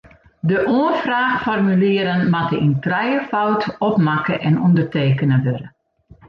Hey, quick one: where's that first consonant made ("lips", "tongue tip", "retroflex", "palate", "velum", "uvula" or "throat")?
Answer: tongue tip